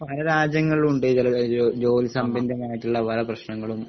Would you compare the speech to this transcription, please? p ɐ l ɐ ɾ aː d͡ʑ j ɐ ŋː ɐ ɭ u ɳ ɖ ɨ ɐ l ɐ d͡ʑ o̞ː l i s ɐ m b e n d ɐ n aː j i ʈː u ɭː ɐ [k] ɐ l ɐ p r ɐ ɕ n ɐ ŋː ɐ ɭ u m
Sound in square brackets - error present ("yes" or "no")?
yes